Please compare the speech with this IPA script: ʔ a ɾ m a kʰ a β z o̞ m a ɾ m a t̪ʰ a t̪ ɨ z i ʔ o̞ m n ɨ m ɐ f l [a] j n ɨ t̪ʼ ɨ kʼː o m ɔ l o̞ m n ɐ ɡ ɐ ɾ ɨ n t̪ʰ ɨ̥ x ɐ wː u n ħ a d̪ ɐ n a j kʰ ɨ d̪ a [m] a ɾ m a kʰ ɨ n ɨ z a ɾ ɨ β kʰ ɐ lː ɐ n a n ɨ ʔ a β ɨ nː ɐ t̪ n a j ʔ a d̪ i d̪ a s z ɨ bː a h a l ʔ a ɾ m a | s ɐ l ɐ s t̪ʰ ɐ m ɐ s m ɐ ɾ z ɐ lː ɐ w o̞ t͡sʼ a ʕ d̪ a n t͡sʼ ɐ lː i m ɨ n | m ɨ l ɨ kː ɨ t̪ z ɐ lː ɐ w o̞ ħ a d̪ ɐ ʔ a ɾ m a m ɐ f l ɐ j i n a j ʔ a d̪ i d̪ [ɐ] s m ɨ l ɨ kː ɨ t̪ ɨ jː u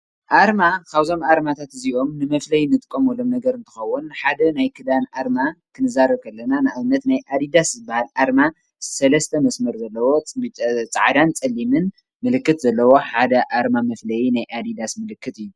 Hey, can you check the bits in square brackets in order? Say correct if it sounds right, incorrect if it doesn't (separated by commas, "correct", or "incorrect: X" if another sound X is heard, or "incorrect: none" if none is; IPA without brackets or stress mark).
incorrect: ɐ, incorrect: n, incorrect: a